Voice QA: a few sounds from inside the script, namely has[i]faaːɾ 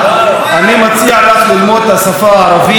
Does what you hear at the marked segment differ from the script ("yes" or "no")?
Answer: yes